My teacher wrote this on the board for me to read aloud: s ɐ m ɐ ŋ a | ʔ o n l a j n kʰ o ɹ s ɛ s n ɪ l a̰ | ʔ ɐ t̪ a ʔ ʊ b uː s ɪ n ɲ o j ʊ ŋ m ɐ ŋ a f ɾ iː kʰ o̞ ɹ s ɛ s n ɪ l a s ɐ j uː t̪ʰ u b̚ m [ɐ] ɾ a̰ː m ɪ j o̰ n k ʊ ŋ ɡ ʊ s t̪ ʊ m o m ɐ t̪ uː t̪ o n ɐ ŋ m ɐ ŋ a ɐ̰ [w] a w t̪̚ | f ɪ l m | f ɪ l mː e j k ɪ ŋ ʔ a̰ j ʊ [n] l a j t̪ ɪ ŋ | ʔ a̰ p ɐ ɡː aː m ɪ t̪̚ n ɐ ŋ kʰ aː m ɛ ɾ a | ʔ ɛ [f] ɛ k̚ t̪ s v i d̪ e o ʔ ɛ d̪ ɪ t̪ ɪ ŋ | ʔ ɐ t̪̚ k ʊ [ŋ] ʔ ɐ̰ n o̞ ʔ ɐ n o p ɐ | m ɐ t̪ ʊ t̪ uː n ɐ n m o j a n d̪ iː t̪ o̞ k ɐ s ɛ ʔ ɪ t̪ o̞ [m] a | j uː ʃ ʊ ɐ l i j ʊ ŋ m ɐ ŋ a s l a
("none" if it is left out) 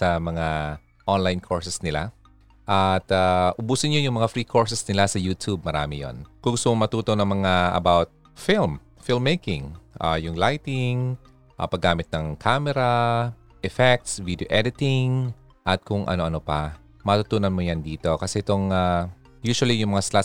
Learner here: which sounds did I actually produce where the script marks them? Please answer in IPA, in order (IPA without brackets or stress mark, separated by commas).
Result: ɐ, b, ŋ, f, ŋ, ŋ